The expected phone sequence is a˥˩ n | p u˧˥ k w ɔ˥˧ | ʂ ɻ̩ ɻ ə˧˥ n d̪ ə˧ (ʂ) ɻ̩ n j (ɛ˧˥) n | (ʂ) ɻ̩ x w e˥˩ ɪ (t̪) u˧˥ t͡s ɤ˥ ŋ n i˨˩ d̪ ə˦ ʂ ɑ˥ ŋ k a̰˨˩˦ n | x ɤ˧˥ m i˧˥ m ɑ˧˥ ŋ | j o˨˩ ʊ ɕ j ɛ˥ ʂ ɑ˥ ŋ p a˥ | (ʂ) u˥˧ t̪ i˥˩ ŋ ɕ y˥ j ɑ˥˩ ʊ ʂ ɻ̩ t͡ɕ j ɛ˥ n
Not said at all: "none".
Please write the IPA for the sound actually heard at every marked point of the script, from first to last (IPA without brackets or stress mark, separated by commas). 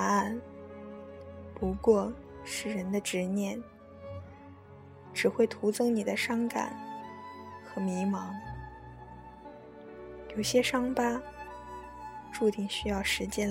ʈ͡ʂ, ɛ˥˩, ʈ͡ʂ, t̪ʰ, ʈ͡ʂ